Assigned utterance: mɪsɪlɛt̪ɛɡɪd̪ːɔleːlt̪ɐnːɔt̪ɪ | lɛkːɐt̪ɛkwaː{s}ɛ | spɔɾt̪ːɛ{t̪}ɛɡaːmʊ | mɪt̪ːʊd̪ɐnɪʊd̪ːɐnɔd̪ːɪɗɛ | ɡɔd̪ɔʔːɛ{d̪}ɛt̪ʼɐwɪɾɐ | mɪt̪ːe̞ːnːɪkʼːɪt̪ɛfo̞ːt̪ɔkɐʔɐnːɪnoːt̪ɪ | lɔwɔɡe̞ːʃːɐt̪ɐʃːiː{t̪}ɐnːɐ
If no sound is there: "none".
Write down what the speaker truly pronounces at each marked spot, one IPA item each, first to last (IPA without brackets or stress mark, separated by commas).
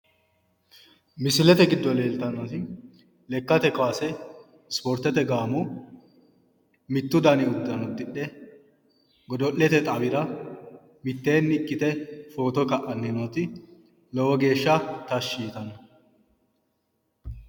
s, t̪, t̪, t̪